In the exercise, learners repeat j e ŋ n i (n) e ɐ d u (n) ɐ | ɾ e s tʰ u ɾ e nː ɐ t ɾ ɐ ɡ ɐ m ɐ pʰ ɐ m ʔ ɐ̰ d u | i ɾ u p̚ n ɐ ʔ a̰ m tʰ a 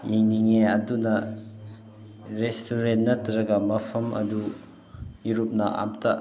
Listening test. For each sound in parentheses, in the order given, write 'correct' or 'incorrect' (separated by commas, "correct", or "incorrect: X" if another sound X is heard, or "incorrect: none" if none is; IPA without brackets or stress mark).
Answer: incorrect: ŋ, correct